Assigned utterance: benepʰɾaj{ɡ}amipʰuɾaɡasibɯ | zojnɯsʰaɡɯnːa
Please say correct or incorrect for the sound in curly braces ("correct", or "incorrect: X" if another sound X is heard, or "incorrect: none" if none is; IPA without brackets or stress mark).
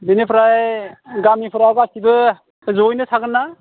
correct